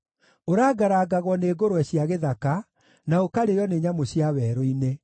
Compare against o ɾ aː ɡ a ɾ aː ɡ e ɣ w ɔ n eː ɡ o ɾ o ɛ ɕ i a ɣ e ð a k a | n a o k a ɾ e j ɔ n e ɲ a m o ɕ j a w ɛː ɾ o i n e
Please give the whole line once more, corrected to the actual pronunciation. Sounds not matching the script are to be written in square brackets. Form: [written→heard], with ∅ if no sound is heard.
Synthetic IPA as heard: o ɾ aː ɡ a ɾ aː ɡ [e→a] ɣ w ɔ n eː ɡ o ɾ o ɛ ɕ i a ɣ e ð a k a | n a o k a ɾ e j ɔ n e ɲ a m o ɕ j a w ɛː ɾ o i n e